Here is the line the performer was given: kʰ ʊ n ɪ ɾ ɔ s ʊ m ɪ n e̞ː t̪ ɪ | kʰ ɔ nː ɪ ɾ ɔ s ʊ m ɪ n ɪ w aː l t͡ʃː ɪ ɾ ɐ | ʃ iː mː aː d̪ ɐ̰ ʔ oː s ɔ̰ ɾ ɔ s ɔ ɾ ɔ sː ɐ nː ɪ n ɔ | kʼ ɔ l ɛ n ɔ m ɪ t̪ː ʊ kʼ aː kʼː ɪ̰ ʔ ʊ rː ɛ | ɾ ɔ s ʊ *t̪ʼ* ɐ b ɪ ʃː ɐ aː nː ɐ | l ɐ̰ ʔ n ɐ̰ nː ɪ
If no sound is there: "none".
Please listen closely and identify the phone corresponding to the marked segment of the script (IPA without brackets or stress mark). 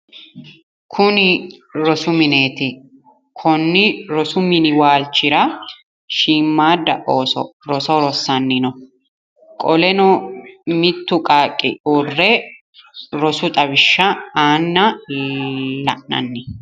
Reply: t̪ʼ